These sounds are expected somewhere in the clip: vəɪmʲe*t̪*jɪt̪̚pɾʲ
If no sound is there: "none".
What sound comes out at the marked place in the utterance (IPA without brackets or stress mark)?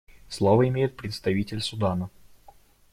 none